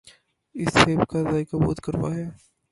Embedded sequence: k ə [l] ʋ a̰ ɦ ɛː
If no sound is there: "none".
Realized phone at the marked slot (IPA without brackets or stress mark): ɾ